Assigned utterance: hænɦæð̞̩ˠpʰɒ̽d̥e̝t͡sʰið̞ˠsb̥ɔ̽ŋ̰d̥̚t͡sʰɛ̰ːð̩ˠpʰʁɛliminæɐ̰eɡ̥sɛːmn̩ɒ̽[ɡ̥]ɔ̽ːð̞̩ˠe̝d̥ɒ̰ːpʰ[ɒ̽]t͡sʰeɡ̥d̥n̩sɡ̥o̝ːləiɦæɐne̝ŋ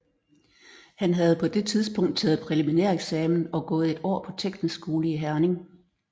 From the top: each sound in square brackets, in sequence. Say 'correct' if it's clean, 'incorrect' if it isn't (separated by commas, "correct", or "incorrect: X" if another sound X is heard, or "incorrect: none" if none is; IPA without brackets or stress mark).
correct, correct